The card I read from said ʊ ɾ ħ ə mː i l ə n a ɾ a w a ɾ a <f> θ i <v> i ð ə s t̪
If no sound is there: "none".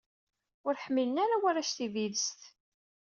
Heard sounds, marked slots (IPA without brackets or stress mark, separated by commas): ʃ, v